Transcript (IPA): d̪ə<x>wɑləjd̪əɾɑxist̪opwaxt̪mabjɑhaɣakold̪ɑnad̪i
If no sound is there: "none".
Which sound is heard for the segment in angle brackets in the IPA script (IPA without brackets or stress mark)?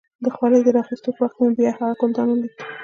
x